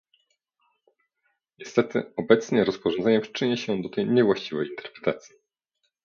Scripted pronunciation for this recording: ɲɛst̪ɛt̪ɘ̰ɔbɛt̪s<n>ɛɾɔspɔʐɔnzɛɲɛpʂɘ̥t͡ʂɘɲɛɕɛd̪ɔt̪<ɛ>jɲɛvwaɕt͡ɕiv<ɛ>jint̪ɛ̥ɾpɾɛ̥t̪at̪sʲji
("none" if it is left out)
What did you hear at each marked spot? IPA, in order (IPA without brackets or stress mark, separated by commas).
ɲ, ɛ, ɛ